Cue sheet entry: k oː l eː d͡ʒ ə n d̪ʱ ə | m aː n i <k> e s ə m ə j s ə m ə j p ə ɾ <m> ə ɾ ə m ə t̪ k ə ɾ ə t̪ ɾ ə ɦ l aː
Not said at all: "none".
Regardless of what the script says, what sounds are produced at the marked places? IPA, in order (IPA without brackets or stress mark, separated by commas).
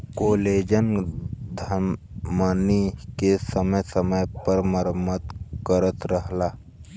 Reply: k, m